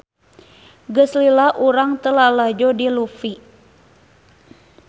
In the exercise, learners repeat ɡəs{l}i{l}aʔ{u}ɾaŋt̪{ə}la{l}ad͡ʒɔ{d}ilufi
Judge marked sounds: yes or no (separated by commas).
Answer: yes, yes, yes, yes, yes, yes